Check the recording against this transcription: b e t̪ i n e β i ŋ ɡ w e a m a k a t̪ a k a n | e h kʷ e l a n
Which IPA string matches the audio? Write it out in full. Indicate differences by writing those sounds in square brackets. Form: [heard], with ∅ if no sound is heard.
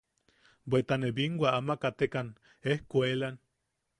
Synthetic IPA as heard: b e t̪ [a] n e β i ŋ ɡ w [a] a m a k a t̪ [e] k a n | e h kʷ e l a n